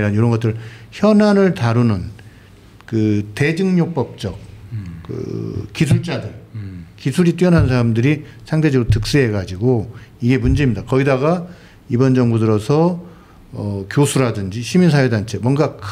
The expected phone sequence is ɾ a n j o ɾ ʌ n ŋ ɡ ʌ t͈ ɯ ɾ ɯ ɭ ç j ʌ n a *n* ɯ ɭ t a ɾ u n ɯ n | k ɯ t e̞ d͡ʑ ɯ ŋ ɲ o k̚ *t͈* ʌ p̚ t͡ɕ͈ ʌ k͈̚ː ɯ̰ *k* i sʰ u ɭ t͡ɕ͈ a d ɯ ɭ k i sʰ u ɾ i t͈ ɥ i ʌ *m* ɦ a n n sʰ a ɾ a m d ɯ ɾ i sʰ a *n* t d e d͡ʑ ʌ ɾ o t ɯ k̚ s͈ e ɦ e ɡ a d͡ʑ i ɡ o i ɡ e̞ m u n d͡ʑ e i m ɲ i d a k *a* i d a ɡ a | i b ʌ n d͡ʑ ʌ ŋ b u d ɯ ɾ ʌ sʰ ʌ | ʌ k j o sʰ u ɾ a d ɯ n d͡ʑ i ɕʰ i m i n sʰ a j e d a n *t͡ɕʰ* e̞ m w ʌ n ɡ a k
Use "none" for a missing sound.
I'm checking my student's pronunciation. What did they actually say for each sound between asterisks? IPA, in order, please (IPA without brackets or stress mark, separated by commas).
n, p͈, k, n, ŋ, ʌ, t͡ɕʰ